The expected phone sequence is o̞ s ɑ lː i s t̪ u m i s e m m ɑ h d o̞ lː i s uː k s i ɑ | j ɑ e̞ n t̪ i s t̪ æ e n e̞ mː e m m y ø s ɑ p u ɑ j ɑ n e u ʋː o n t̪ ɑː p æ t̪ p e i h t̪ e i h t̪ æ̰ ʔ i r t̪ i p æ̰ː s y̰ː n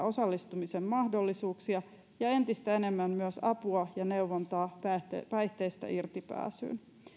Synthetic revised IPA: o̞ s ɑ lː i s t̪ u m i s e m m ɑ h d o̞ lː i s uː k s i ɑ | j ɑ e̞ n t̪ i s t̪ æ e n e̞ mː æ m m y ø s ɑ p u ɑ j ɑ n e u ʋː o n t̪ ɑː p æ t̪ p æ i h t̪ e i s t̪ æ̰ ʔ i r t̪ i p æ̰ː s y̰ː n